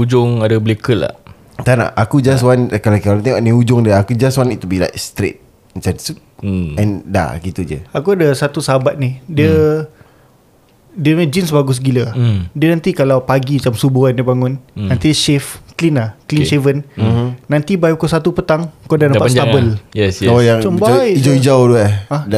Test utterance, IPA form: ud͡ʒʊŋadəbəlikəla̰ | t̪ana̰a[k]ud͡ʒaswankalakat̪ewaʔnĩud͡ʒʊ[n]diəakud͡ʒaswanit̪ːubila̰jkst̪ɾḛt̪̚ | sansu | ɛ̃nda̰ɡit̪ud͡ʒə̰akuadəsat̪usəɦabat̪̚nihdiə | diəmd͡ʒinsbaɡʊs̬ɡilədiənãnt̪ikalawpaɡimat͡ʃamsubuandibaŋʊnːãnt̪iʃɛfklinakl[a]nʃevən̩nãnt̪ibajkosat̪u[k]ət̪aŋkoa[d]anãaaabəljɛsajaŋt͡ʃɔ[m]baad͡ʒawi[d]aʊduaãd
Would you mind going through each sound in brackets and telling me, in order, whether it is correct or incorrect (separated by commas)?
correct, incorrect, incorrect, incorrect, correct, correct, incorrect